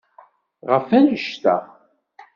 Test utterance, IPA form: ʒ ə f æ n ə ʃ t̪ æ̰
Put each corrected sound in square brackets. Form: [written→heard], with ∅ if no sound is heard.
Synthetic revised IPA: [ʒ→ʁ] ə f æ n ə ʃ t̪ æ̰

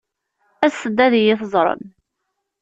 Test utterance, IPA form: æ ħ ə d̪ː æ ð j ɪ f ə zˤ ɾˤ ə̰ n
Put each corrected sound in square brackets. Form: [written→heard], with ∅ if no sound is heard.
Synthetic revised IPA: æ [ħ→s] ə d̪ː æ ð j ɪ [f→θ] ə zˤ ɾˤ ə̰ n

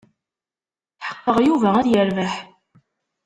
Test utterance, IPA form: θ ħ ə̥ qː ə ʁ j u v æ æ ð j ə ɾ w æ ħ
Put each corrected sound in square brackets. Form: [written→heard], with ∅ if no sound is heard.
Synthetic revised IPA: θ ħ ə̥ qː ə ʁ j u v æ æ ð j ə ɾ [w→v] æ ħ

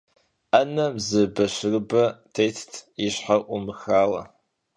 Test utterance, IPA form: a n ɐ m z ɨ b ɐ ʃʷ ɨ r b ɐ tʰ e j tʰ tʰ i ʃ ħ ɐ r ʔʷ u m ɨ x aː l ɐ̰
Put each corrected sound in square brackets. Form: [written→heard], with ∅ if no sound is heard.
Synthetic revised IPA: a n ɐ m z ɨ b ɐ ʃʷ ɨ r b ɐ tʰ e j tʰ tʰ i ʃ ħ [ɐ→a] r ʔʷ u m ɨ x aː l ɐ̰

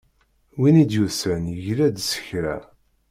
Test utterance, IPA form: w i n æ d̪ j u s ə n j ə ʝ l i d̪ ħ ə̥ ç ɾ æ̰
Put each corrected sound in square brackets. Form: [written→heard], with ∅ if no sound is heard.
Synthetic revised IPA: w i n [æ→i] d̪ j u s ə n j ə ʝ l [i→æ] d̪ [ħ→s] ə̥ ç ɾ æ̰

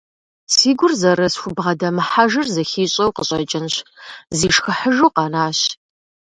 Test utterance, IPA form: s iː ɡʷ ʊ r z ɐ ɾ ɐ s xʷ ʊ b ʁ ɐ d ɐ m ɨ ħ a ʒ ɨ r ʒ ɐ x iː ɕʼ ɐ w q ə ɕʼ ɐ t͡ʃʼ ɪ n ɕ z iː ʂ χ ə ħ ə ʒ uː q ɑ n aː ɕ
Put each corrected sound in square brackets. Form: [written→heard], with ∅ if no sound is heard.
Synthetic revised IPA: s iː ɡʷ ʊ r z ɐ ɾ ɐ s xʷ ʊ b ʁ ɐ d ɐ m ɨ ħ a ʒ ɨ r [ʒ→z] ɐ x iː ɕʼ ɐ w q ə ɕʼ ɐ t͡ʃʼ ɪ n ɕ z iː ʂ [χ→x] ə ħ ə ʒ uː q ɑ n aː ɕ

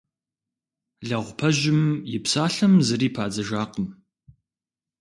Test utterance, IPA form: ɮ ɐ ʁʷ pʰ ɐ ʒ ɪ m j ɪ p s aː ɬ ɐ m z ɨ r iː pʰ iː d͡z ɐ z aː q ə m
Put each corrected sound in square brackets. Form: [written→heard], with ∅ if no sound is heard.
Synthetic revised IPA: ɮ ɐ ʁʷ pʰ ɐ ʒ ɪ m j ɪ p s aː ɬ ɐ m z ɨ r iː pʰ [iː→aː] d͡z ɐ [z→ʒ] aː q ə m

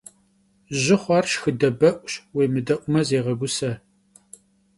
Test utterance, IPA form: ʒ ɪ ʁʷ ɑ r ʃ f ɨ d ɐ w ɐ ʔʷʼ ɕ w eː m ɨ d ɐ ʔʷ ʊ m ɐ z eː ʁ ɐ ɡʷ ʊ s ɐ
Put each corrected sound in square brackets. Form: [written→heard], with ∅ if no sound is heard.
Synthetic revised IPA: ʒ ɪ [ʁʷ→χʷ] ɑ r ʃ [f→x] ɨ d ɐ [w→b] ɐ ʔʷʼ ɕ w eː m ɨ d ɐ ʔʷ ʊ m ɐ z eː ʁ ɐ ɡʷ ʊ s ɐ

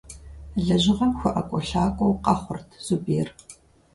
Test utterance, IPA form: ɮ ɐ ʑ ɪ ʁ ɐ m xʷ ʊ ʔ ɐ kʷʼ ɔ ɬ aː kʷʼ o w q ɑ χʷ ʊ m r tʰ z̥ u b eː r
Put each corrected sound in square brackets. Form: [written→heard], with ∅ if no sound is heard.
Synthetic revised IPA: ɮ ɐ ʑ ɪ ʁ ɐ m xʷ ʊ ʔ ɐ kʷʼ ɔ ɬ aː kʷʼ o w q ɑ χʷ ʊ [m→∅] r tʰ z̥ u b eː r

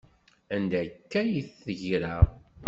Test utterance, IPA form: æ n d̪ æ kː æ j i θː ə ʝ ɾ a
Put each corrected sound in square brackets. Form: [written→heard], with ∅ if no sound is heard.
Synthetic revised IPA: æ n d̪ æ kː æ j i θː ə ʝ ɾ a

